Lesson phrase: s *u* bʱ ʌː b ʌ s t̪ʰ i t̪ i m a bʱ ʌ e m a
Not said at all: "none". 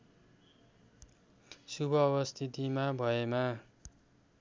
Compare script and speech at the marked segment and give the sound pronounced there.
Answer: u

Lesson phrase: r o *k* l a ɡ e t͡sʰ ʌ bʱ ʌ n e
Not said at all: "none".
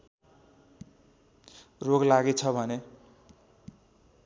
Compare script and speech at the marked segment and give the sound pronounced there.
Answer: ɡ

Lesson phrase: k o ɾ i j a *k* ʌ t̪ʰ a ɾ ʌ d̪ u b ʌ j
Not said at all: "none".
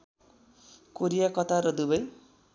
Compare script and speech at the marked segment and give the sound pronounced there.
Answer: k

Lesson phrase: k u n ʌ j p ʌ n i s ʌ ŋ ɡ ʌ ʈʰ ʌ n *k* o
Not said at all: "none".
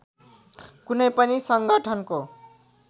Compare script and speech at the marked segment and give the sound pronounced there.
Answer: k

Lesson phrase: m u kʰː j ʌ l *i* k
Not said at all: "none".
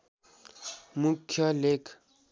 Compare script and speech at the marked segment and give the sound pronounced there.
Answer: e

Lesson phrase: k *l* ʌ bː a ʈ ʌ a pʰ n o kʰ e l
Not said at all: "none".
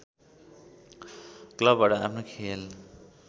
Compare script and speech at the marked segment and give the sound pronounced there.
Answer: l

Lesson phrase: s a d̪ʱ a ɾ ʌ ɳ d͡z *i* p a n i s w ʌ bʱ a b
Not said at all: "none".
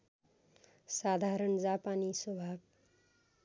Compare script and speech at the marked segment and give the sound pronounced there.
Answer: a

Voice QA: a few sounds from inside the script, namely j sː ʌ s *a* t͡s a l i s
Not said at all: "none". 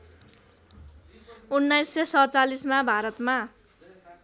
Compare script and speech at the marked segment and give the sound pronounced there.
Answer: ʌ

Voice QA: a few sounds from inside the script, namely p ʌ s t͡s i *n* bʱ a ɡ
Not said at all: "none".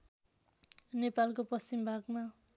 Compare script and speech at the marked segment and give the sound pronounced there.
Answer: m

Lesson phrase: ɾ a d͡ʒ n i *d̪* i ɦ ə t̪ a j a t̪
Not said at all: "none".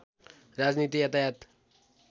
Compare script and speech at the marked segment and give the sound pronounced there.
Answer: t̪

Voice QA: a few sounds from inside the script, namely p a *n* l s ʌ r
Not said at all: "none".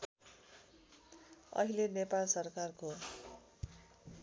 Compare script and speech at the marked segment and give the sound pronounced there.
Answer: none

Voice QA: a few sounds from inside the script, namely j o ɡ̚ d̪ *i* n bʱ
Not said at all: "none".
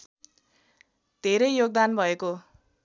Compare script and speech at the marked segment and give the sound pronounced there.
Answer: a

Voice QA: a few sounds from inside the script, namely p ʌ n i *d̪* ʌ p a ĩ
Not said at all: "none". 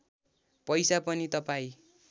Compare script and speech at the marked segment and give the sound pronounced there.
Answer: t̪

